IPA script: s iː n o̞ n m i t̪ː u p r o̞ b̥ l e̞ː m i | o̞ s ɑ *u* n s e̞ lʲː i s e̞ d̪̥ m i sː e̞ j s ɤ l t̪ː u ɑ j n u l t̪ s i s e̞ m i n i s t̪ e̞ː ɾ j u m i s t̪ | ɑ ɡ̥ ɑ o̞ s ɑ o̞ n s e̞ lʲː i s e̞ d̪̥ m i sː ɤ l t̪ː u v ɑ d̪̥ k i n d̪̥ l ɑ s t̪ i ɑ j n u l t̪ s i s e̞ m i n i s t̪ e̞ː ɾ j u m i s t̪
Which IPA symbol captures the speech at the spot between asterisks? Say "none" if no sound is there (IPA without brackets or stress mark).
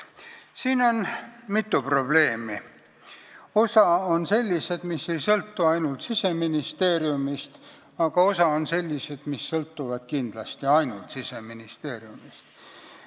o